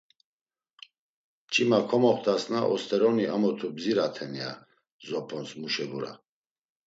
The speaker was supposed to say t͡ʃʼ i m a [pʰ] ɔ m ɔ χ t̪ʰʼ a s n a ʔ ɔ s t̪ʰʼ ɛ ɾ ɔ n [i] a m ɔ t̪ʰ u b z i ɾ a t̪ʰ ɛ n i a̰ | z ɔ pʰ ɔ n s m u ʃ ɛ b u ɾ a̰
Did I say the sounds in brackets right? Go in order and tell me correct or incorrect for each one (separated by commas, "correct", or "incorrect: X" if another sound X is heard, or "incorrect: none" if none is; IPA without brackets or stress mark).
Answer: incorrect: kʰ, correct